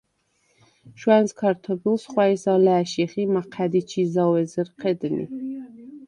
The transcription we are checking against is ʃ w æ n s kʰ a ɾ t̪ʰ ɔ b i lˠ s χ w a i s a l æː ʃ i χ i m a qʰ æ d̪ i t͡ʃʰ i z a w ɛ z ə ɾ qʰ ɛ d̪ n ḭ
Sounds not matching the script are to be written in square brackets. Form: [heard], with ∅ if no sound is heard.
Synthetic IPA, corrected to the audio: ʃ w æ n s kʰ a ɾ t̪ʰ ɔ b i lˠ s χ w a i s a l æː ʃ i χ i m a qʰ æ d̪ i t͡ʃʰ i z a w ɛ z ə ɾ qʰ ɛ d̪ n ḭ